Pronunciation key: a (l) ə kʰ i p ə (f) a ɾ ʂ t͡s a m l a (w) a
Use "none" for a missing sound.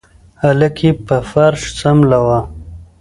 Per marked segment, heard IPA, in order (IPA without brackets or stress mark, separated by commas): l, f, w